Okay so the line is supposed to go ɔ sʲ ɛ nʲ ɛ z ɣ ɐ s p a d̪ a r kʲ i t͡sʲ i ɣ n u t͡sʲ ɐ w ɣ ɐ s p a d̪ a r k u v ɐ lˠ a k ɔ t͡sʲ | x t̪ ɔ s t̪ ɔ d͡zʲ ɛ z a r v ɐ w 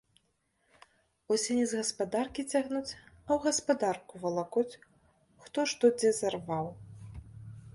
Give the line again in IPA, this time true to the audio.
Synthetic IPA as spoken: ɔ sʲ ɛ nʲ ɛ z ɣ ɐ s p a d̪ a r kʲ i t͡sʲ a ɣ n u t͡sʲ ɐ w ɣ ɐ s p a d̪ a r k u v ɐ lˠ a k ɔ t͡sʲ | x t̪ ɔ ʂ t̪ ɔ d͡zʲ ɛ z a r v a w